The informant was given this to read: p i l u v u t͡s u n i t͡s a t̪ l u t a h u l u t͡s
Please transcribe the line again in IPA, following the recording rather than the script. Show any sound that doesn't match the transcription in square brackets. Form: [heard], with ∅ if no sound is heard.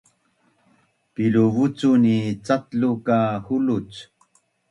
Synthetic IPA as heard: p i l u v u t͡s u n i t͡s a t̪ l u [k] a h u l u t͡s